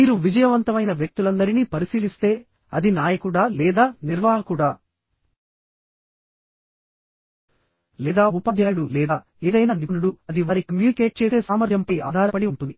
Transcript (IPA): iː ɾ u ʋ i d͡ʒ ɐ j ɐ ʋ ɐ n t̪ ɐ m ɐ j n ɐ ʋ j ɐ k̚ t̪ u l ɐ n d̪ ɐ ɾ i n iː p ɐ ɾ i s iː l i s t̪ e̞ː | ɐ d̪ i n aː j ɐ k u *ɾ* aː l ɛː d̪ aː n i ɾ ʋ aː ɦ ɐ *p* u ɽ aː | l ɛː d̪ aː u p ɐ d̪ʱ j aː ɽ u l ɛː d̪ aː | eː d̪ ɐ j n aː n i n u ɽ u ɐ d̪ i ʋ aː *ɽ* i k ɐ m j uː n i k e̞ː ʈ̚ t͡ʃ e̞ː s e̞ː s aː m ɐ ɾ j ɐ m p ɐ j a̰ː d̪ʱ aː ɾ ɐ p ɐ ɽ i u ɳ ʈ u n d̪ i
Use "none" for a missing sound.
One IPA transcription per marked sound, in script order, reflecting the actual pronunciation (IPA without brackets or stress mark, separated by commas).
ɽ, k, ɾ